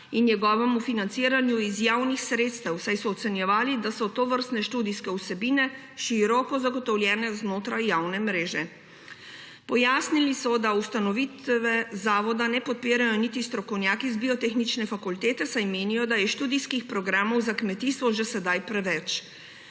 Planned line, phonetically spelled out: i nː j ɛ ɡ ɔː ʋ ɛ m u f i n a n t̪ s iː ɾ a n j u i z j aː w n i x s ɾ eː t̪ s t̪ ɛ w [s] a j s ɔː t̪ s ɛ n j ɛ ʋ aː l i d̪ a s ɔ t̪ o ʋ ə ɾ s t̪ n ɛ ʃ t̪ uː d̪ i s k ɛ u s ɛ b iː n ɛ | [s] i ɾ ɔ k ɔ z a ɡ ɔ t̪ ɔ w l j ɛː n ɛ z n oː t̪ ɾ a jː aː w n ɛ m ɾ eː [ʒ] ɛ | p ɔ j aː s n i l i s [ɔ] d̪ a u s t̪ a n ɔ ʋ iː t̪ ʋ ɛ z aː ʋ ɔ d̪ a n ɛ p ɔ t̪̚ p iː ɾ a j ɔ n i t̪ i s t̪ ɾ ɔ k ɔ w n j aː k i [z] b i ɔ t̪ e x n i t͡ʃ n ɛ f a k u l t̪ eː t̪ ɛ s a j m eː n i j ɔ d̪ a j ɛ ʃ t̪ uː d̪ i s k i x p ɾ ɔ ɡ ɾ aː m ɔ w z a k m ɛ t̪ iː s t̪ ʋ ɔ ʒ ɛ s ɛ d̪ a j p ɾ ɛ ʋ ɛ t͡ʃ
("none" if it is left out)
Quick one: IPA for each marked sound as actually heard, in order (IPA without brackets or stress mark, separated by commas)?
s, ʃ, ʒ, ɔ, z